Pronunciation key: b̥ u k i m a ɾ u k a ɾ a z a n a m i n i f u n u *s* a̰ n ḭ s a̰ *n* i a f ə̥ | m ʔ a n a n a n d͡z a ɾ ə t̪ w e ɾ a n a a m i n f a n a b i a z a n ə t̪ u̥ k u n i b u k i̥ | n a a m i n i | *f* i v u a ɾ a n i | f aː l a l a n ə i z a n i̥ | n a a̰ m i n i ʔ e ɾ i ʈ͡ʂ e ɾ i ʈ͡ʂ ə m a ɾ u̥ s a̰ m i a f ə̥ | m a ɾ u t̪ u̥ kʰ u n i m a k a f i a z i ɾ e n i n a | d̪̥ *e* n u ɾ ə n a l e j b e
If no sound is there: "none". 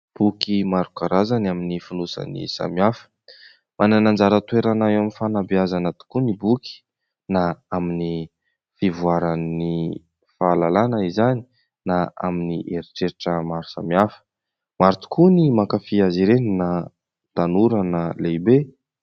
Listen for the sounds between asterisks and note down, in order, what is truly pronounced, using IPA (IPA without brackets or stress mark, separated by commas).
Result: s, m, f, a